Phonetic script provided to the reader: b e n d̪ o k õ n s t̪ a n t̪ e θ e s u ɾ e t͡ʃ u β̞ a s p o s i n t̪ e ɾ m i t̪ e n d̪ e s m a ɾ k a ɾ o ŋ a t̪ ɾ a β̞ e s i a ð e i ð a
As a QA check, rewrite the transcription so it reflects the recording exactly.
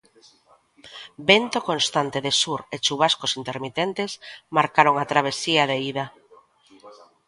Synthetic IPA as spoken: b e n t̪ o k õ n s t̪ a n t̪ e ð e s u ɾ e t͡ʃ u β̞ a s k o s i n t̪ e ɾ m i t̪ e n t̪ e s m a ɾ k a ɾ o ŋ a t̪ ɾ a β̞ e s i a ð e i ð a